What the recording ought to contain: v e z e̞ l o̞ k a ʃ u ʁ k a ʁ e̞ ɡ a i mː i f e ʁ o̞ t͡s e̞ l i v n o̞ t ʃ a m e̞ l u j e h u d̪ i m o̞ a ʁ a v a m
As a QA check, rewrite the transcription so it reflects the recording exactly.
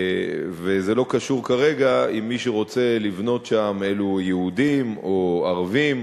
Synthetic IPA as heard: v e z e̞ l o̞ k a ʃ u ʁ k a ʁ e̞ ɡ a i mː i ʃ e ʁ o̞ t͡s e̞ l i v n o̞ t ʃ a m e̞ l u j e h u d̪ i m o̞ a ʁ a v i m